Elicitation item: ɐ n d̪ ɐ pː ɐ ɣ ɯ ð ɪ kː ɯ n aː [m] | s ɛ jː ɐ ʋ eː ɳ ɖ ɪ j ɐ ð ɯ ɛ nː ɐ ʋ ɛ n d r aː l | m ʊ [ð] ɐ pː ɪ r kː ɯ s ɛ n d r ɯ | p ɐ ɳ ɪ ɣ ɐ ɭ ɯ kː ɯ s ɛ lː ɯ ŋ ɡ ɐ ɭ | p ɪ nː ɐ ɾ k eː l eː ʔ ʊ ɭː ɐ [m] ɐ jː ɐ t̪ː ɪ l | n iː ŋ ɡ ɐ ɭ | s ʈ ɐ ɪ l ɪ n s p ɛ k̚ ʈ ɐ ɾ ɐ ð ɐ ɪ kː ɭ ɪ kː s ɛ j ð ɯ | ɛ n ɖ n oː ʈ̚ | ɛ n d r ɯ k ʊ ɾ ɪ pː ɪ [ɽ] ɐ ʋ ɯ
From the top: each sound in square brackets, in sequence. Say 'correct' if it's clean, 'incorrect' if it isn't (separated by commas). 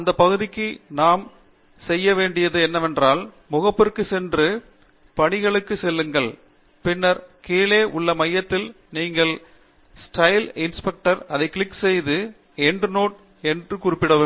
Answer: correct, incorrect, correct, correct